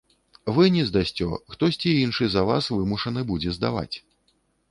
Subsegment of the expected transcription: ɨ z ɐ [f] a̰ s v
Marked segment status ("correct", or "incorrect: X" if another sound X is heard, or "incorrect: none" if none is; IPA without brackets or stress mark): incorrect: v